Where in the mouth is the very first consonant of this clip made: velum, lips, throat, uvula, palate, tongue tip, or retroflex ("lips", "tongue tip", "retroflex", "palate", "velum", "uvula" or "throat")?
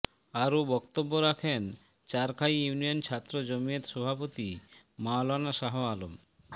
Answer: tongue tip